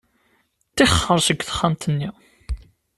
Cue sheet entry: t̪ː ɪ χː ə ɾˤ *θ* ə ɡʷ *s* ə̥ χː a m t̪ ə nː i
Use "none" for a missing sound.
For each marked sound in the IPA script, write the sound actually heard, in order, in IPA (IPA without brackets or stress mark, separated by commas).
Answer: s, θ